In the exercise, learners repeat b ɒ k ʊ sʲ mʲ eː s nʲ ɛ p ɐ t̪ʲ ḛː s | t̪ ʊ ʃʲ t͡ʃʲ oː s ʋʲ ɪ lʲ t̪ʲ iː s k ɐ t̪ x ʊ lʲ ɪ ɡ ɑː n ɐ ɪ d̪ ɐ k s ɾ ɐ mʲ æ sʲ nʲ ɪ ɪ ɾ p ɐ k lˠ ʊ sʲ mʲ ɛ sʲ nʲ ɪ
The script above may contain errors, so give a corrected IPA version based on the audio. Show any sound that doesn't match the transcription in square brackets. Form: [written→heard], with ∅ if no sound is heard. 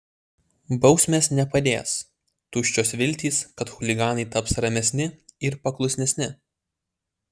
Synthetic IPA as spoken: b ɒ [k→∅] ʊ sʲ mʲ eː s nʲ ɛ p ɐ [t̪ʲ→d̪ʲ] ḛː s | t̪ ʊ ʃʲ t͡ʃʲ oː s ʋʲ ɪ lʲ t̪ʲ iː s k ɐ t̪ x ʊ lʲ ɪ ɡ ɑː n ɐ ɪ [d̪→t̪] ɐ [k→p] s ɾ ɐ mʲ [æ→ɛ] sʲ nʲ ɪ ɪ ɾ p ɐ k lˠ ʊ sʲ [mʲ→nʲ] ɛ sʲ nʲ ɪ